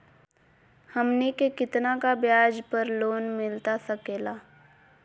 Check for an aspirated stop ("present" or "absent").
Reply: absent